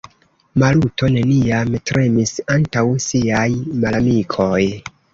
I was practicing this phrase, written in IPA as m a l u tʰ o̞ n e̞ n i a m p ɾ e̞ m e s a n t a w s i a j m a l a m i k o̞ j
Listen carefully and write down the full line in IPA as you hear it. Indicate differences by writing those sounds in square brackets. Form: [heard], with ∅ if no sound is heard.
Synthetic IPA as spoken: m a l u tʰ o̞ n e̞ n i a m [t] ɾ e̞ m [i] s a n t a w s i a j m a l a m i [kʰ] o̞ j